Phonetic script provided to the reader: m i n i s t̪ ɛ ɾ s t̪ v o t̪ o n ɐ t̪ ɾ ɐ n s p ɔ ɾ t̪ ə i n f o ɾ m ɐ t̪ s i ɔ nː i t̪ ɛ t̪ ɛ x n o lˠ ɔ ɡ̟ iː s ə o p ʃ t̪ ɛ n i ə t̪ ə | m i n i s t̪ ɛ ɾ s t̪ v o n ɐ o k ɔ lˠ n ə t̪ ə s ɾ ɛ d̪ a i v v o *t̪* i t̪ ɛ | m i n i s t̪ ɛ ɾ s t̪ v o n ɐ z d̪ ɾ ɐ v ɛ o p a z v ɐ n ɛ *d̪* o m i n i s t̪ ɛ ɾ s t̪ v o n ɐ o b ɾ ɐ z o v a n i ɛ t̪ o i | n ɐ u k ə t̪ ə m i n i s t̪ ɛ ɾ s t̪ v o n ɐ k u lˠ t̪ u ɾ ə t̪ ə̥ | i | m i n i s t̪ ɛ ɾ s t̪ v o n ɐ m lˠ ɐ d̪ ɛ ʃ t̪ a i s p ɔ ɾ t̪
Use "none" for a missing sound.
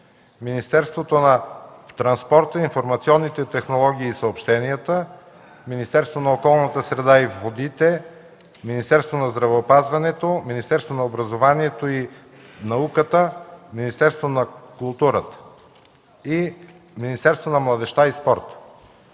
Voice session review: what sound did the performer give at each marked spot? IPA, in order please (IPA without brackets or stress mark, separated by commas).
d̪, t̪